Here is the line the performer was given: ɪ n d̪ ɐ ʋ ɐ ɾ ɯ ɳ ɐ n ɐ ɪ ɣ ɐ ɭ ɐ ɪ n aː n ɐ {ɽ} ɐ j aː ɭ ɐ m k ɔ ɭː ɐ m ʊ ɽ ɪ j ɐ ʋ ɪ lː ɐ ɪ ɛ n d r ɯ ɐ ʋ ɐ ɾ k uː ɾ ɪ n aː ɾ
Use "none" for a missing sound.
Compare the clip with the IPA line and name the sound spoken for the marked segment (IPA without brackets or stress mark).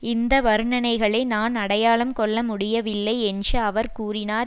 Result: ɽ